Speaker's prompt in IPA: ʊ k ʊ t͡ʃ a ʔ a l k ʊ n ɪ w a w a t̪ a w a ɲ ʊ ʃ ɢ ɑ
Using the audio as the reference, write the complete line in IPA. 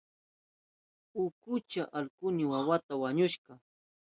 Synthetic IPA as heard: ʊ k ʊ t͡ʃ a ʔ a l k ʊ n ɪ w a w a t̪ a w a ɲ ʊ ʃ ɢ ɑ